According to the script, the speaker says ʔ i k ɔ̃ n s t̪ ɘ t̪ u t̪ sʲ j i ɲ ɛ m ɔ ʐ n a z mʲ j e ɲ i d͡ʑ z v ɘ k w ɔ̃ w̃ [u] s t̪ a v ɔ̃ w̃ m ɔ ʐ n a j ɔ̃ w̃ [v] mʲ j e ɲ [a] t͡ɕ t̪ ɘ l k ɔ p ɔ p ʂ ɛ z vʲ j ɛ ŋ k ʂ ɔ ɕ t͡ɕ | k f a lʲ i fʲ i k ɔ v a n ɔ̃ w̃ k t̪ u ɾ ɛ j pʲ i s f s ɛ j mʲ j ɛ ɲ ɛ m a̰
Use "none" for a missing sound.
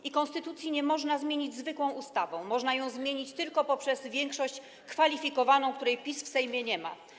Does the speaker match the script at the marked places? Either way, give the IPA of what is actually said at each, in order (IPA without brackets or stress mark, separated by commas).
u, z, i